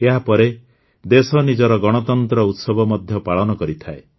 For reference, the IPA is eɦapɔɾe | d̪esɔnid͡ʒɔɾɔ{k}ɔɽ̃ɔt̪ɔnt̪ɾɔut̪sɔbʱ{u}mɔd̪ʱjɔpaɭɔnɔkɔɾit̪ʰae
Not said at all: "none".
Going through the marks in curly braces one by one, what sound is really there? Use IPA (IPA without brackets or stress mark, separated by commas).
ɡ, ɔ